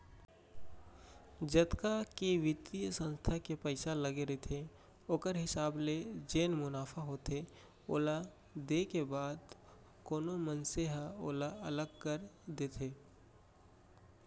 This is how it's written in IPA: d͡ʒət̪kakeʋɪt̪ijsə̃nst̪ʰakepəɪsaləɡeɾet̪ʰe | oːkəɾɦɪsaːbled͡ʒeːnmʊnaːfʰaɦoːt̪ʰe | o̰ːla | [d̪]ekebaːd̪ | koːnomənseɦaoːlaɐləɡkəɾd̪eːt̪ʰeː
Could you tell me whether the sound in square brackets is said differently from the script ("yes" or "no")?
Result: no